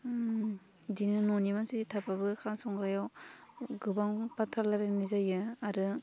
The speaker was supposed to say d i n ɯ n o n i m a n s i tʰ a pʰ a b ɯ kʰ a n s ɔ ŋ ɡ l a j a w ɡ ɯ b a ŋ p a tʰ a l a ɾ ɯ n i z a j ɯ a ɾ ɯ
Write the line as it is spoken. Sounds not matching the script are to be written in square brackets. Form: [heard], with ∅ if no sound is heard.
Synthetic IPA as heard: d i n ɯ n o n i m a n s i tʰ a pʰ a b ɯ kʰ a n s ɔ ŋ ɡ [ɾ] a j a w ɡ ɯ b a ŋ p a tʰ a l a ɾ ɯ n i z a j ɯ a ɾ ɯ